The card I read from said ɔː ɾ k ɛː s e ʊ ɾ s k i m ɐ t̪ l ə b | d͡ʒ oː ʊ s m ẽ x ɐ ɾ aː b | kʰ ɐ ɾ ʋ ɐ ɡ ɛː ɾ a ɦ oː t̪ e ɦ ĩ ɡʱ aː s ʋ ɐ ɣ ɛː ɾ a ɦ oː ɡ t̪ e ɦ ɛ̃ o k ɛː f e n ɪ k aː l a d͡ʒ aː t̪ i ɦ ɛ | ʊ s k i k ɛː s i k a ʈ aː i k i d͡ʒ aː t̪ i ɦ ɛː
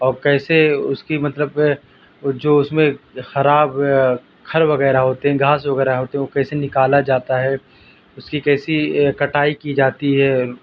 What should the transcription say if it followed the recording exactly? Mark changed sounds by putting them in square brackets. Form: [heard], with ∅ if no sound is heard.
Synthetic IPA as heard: ɔː ɾ k ɛː s e ʊ [∅] s k i m ɐ t̪ l ə b | d͡ʒ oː ʊ s m ẽ x ɐ ɾ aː b | kʰ ɐ ɾ ʋ ɐ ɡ ɛː ɾ a ɦ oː t̪ e ɦ [ɛ̃] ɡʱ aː s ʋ ɐ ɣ ɛː ɾ a ɦ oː [∅] t̪ e ɦ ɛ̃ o k ɛː [s] e n ɪ k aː l a d͡ʒ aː t̪ [a] ɦ ɛ | ʊ s k i k ɛː s i k [ɐ] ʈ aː i k i d͡ʒ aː t̪ i ɦ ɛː